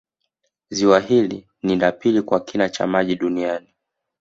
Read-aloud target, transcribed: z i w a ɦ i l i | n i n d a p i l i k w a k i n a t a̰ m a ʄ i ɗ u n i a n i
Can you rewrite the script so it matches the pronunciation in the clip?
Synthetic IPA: z i w a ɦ i l i | n i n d a p i l i k w a k i n a t͡ʃ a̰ m a ʄ i ɗ u n i a n i